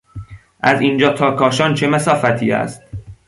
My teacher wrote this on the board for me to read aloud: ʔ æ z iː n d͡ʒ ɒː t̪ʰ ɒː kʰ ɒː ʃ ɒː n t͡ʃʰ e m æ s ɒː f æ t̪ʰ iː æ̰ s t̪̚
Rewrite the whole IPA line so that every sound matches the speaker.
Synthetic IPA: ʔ æ z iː n d͡ʒ ɒː t̪ʰ ɒː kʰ ɒː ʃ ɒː n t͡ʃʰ e m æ s ɒː f æ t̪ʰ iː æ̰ s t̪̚